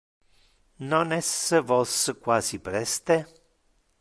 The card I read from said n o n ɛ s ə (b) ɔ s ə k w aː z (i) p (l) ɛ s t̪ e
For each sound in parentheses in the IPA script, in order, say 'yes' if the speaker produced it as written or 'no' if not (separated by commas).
no, yes, no